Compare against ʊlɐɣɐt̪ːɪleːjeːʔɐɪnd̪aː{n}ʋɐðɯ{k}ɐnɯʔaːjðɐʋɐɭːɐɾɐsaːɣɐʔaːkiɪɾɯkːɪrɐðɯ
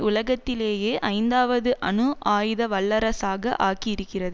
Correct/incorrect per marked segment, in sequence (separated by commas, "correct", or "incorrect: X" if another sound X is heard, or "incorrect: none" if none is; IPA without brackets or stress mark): incorrect: none, incorrect: ʔ